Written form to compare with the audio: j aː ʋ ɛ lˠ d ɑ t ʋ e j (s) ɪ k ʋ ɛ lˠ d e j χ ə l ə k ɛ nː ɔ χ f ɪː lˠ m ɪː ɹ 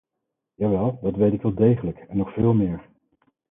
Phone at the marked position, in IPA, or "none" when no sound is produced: t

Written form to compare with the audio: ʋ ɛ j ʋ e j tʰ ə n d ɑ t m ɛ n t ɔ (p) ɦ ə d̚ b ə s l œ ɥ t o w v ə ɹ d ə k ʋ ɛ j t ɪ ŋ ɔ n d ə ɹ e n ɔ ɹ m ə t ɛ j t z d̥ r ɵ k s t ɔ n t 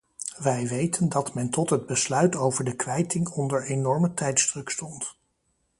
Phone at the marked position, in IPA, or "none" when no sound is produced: t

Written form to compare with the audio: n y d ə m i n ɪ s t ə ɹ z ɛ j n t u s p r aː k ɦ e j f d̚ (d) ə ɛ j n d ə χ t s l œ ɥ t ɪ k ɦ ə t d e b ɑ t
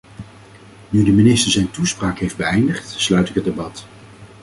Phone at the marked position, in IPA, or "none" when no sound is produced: b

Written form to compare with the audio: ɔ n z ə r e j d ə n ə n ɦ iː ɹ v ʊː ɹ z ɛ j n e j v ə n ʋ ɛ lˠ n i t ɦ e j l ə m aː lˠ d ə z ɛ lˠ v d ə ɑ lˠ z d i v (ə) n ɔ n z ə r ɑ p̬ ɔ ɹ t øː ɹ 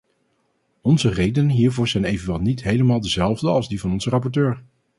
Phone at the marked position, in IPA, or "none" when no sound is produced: ɑ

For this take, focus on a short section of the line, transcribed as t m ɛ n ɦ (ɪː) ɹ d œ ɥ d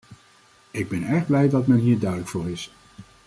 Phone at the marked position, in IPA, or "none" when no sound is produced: iː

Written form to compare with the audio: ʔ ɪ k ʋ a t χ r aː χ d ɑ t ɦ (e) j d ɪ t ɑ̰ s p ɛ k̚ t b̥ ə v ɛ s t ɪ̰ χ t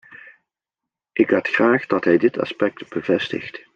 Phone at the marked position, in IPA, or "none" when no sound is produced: ɛ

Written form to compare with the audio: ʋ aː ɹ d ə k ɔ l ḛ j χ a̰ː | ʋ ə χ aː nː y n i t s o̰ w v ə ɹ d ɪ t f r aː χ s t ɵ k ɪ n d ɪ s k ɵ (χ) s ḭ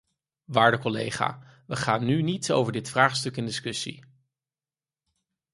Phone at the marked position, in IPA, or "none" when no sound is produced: none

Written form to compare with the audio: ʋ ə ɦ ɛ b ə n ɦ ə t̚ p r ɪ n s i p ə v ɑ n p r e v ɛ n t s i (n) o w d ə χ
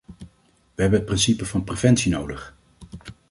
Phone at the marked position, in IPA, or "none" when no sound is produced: n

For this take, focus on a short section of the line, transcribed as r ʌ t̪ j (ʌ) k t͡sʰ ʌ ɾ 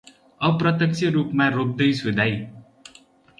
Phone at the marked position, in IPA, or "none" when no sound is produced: ʌ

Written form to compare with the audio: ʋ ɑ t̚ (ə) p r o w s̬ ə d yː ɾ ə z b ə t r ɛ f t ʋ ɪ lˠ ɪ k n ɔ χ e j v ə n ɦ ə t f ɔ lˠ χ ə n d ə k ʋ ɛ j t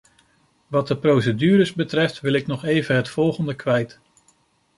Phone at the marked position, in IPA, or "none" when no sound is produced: ə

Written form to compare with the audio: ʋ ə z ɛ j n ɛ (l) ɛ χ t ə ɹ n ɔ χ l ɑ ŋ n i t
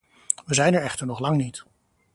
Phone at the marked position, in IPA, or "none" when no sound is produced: ɹ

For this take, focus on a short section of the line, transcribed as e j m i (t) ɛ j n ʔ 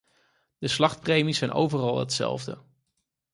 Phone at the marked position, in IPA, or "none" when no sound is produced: s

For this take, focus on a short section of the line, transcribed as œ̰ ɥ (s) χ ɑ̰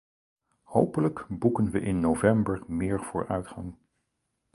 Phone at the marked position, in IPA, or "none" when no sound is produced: t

